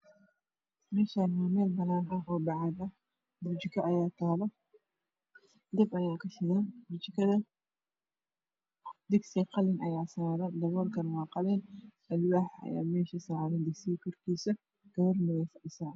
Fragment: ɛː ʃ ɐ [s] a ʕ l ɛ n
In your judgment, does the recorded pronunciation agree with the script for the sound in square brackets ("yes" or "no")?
yes